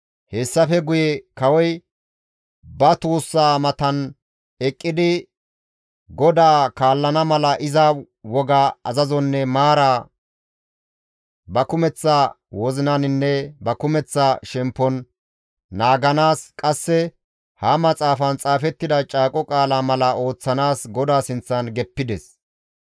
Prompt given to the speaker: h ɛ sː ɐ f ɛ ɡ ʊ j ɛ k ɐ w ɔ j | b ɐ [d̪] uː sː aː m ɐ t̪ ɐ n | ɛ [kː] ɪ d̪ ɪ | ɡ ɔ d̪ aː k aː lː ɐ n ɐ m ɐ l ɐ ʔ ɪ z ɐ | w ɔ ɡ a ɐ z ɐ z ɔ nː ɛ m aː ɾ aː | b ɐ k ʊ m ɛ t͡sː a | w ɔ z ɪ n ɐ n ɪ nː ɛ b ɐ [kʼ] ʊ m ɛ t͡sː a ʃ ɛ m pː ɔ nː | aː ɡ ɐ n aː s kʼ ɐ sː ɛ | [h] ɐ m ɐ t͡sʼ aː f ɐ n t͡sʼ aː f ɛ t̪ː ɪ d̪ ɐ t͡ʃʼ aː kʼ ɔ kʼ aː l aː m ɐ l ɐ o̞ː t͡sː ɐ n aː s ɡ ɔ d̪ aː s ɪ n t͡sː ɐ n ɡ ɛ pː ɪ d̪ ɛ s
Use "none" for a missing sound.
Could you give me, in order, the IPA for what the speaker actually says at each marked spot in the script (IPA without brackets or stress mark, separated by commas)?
t̪, kʼː, k, h